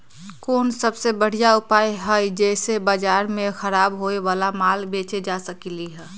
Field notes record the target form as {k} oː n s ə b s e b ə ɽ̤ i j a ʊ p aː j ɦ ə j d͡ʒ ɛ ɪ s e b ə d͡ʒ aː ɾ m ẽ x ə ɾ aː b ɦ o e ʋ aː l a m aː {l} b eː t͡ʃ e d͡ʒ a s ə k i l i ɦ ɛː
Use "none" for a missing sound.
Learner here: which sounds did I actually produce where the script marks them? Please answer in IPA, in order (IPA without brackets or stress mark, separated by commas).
k, l